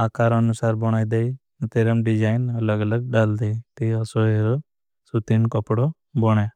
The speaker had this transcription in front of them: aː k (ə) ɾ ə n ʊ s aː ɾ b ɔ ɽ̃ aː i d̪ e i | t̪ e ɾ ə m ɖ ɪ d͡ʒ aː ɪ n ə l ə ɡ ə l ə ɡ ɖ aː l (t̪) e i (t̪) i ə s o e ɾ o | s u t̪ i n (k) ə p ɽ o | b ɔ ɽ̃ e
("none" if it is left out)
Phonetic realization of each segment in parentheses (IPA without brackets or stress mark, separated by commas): a, d̪, t̪, k